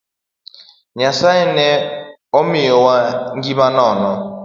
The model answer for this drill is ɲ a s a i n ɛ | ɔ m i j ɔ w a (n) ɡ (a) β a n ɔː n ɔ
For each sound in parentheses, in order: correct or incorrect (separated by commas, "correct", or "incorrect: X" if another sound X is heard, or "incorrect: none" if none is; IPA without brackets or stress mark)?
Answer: incorrect: ŋ, incorrect: i